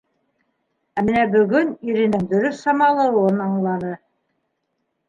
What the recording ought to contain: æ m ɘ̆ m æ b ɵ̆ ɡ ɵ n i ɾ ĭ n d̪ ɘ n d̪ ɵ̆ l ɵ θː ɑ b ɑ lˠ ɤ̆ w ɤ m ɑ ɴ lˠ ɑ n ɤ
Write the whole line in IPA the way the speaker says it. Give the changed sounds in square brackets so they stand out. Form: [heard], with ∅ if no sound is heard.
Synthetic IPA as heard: æ m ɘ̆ [n] æ b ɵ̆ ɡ ɵ n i ɾ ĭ n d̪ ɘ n d̪ ɵ̆ [ɾ] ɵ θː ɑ [m] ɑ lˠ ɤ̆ w ɤ [n] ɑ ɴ lˠ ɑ n ɤ